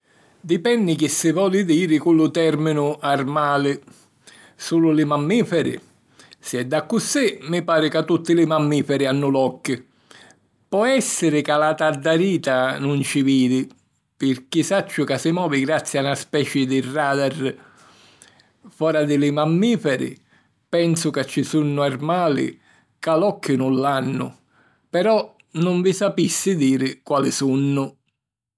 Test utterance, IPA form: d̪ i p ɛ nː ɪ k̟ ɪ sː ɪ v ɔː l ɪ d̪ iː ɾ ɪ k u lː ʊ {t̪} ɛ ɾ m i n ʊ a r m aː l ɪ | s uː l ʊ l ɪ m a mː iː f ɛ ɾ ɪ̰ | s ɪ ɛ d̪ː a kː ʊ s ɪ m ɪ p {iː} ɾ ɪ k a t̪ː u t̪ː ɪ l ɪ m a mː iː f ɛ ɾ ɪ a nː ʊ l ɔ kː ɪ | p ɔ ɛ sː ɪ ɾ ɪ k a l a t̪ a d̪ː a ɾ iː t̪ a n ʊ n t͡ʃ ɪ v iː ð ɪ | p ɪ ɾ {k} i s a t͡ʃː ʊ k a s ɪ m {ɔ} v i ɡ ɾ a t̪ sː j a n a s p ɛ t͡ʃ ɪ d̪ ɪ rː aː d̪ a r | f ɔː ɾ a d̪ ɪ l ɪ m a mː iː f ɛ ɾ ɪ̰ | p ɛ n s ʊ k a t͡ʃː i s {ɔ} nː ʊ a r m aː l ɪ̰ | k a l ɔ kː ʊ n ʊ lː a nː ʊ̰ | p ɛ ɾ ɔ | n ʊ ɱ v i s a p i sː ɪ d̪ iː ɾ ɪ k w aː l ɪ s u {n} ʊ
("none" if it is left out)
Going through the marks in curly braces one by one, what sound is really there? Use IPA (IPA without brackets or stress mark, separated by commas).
t̪, aː, k, ɔː, u, nː